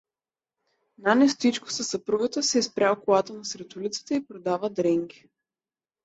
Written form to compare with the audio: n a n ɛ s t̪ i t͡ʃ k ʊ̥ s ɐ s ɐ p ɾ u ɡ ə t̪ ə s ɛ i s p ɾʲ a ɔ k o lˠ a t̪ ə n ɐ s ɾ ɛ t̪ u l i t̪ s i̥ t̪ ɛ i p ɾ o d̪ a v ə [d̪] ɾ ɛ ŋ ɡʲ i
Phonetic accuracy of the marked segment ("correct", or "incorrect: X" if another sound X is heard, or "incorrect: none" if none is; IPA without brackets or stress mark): correct